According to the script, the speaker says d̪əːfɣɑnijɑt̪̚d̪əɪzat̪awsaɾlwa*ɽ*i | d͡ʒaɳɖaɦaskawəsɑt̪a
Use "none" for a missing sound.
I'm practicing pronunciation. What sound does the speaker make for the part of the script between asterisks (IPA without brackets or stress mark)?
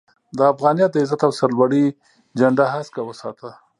ɽ